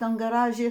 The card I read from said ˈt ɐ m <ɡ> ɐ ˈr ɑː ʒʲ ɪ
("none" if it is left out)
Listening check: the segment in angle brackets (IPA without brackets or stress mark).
ɡ